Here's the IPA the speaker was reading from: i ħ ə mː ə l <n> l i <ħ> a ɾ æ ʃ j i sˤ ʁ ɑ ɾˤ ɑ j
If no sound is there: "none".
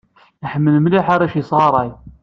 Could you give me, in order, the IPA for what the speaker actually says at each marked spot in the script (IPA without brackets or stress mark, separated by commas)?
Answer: m, ħ